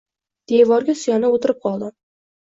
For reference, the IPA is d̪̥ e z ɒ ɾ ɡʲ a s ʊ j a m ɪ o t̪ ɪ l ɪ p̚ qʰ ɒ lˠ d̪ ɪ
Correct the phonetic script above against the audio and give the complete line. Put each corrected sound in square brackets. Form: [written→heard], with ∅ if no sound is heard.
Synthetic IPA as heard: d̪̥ e [z→v] ɒ ɾ ɡʲ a s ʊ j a [m→n] ɪ o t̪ ɪ [l→ɾ] ɪ p̚ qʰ ɒ lˠ d̪ ɪ